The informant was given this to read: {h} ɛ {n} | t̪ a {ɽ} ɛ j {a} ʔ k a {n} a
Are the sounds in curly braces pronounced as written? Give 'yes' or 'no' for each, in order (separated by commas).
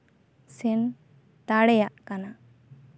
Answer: no, yes, yes, yes, yes